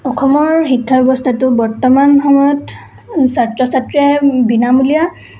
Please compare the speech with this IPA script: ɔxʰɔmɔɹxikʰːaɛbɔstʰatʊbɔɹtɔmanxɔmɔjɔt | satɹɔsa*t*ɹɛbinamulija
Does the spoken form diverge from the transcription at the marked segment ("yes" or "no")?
no